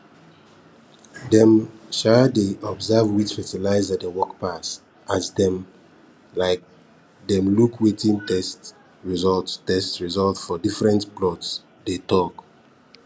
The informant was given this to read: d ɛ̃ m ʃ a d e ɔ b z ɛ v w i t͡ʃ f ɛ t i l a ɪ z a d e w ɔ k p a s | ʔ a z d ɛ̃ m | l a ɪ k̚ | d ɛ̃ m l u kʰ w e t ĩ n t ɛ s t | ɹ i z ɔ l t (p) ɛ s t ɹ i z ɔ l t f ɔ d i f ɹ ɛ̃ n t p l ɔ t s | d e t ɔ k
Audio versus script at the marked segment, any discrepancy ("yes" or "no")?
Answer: yes